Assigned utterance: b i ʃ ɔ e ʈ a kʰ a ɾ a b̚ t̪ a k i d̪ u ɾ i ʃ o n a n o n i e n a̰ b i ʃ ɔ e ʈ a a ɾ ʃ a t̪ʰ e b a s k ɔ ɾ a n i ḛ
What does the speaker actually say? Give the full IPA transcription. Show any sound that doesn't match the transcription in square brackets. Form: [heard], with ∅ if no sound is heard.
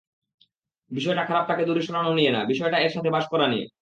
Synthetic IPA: b i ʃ ɔ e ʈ a kʰ a ɾ a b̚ t̪ a k [e] d̪ u ɾ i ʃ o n a n o n i e n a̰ b i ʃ ɔ e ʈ a [e] ɾ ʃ a t̪ʰ e b a [ʃ] k ɔ ɾ a n i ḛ